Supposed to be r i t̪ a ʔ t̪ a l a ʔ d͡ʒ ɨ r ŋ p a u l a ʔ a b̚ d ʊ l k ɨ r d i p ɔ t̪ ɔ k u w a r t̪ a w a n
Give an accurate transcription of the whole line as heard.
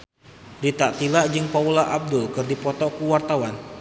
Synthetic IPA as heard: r i t̪ a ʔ t̪ i l a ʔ d͡ʒ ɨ ŋ p a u l a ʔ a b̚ d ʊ l k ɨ r d i p ɔ t̪ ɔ k u w a r t̪ a w a n